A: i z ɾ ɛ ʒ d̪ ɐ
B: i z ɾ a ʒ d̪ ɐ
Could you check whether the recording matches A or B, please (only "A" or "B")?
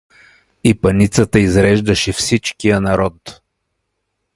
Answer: A